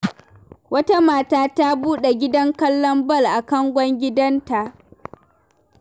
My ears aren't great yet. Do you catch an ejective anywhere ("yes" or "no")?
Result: no